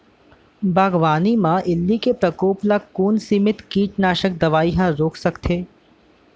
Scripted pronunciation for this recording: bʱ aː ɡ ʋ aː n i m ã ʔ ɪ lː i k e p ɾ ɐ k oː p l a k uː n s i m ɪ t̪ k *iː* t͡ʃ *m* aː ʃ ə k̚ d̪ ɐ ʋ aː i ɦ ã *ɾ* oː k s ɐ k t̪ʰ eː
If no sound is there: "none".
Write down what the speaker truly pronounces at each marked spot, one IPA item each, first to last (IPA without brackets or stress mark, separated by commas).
iː, n, ɾ